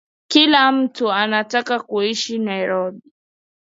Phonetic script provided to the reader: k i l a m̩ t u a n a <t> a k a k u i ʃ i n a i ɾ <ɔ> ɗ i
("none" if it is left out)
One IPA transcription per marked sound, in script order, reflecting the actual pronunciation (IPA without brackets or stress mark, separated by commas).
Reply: t, ɔ